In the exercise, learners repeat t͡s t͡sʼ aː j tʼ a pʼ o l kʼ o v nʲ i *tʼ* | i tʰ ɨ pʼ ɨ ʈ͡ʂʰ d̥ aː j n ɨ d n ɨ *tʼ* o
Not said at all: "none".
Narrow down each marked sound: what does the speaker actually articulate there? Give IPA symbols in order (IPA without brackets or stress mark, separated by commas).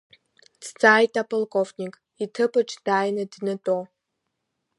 kʼ, tʼ